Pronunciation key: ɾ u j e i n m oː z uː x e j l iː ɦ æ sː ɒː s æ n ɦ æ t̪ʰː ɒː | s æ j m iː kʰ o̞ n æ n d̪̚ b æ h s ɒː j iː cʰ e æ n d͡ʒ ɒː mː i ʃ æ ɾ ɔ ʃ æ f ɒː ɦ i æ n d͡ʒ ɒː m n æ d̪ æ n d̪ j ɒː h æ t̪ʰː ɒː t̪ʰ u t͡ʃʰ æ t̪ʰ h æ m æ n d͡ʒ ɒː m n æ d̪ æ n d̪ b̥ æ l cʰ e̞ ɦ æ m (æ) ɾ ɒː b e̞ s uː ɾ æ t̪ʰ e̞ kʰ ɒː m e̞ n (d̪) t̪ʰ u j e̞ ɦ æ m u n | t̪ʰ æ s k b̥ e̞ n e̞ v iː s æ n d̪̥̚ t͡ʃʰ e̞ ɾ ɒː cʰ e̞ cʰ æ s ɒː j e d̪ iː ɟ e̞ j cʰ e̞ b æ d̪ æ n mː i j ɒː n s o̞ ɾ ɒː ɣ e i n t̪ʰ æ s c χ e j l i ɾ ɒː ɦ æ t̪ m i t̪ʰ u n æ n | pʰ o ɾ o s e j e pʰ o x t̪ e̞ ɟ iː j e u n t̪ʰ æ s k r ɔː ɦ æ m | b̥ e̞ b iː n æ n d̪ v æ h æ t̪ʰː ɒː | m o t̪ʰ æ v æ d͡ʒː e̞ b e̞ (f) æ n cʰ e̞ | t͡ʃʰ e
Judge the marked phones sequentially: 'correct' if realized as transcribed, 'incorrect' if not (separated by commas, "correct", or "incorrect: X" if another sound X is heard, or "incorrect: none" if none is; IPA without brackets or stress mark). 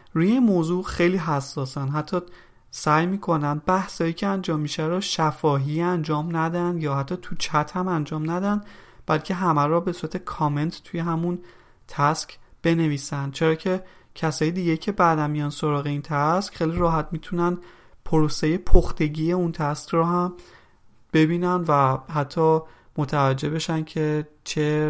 correct, incorrect: t̪, incorrect: ʃ